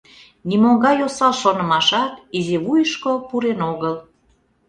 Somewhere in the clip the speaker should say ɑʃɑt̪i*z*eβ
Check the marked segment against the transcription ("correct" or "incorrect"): correct